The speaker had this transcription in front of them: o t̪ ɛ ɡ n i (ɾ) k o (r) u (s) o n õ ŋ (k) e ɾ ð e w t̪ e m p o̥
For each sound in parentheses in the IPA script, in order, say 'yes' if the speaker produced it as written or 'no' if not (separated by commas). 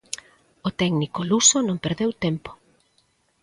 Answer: no, no, yes, no